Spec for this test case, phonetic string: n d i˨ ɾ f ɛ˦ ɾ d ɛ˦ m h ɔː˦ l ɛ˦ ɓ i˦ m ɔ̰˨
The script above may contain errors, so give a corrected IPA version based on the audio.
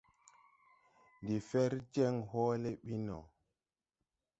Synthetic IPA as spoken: n d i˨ f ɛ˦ ɾ d͡ʒ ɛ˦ ŋ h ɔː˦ l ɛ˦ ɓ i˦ n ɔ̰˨